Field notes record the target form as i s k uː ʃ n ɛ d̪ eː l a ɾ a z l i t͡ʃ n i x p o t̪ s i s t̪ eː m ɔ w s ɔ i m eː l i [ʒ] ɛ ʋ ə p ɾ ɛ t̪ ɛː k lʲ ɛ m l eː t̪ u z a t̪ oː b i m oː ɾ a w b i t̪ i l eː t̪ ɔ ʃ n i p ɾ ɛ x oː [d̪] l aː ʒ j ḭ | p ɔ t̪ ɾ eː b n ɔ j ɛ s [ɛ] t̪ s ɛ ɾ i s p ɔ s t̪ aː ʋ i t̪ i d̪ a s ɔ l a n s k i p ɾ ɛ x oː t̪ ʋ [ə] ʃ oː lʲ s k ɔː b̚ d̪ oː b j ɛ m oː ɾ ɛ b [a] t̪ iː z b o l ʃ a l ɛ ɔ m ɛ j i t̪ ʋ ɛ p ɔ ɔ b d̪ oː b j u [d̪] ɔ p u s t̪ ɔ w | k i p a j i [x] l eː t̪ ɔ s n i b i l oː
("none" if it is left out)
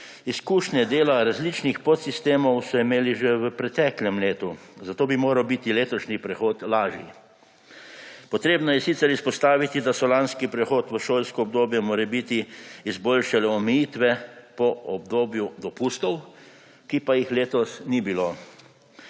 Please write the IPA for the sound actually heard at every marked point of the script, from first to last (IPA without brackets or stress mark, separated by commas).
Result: ʒ, t̪, i, ə, i, d̪, x